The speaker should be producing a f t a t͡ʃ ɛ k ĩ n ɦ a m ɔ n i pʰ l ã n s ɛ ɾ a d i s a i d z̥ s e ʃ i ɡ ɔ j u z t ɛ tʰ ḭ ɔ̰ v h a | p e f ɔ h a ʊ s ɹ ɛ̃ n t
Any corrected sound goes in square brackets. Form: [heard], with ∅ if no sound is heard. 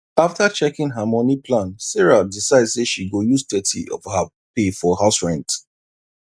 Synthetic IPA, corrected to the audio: a f t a t͡ʃ ɛ k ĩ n ɦ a m ɔ n i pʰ l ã n s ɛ [ɹ] a d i s a [ɪ] d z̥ s e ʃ i ɡ [o] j u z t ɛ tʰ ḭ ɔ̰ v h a | p e f ɔ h a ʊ s ɹ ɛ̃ n t